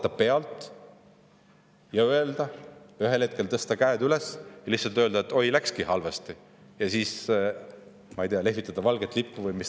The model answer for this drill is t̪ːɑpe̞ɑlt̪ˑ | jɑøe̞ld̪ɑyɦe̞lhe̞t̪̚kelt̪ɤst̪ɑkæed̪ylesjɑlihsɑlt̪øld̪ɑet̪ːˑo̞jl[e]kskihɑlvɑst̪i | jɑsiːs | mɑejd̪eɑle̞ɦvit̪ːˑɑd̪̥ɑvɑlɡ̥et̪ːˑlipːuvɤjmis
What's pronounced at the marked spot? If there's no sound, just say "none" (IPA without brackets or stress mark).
æ